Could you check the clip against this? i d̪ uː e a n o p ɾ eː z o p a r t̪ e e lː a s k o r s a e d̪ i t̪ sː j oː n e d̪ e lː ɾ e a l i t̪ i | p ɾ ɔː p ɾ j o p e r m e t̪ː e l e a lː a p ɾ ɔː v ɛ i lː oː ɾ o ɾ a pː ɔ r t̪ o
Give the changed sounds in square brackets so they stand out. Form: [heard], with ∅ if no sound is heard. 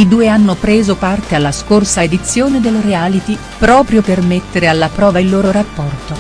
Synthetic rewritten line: i d̪ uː e a [nː] o p ɾ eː z o p a r t̪ e [a] lː a s k o r s a e d̪ i t̪ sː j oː n e d̪ e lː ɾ e a l i t̪ i | p ɾ ɔː p ɾ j o p e r m e t̪ː e [ɾ] e a lː a p ɾ ɔː v [a] i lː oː ɾ o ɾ a pː ɔ r t̪ o

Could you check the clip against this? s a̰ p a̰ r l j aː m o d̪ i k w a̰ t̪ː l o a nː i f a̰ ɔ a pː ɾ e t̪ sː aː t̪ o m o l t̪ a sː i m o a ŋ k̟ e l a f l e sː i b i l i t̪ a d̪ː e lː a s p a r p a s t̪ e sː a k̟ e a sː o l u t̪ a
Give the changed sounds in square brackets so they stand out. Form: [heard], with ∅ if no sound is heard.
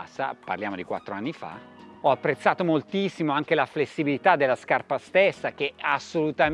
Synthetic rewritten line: s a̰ p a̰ r l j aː m o d̪ i k w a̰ t̪ː [ɾ] o a nː i f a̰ ɔ a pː ɾ e t̪ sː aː t̪ o m o l t̪ [i] sː i m o a ŋ k̟ e l a f l e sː i b i l i t̪ a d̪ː e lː a s [k] a r p a s t̪ e sː a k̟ e a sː o l u t̪ a

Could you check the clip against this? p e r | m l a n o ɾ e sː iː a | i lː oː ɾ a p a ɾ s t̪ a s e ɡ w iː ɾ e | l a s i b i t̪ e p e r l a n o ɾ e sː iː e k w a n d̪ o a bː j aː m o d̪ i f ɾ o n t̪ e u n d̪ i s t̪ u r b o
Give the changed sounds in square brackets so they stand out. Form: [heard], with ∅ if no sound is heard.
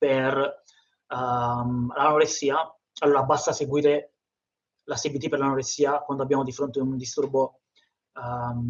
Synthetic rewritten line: p e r | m l a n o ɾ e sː iː a | [a] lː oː ɾ a [b] a [∅] s t̪ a s e ɡ w iː ɾ e | l a s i b i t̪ [i] p e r l a n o ɾ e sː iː [a] k w a n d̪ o a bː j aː m o d̪ i f ɾ o n t̪ e u n d̪ i s t̪ u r b o

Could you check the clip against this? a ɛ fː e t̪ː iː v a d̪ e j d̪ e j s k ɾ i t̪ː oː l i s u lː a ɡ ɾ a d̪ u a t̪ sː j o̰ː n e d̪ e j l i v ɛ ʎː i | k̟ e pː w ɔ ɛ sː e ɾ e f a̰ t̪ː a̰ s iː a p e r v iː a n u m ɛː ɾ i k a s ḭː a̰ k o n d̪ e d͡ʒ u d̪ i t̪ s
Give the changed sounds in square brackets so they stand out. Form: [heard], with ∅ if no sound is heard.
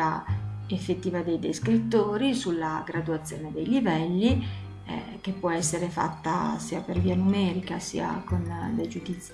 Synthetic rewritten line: a [e] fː e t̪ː iː v a d̪ e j d̪ e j s k ɾ i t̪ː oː [ɾ] i s u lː a ɡ ɾ a d̪ u a t̪ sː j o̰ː n e d̪ e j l i v ɛ [lː] i | k̟ e pː w ɔ ɛ sː e ɾ e f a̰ t̪ː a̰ s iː a p e r v iː a n u m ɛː ɾ i k a s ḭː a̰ k o n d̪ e d͡ʒ u d̪ i t̪ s

